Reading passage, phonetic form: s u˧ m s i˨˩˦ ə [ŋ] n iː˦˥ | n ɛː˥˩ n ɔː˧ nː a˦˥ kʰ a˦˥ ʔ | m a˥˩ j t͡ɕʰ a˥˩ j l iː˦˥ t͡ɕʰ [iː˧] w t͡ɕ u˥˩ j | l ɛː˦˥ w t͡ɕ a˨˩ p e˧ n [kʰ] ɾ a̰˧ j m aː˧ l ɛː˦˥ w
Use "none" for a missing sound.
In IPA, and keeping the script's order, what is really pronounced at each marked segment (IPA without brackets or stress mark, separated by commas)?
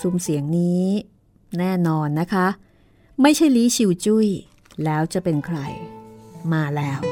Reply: ŋ, i˧, kʰ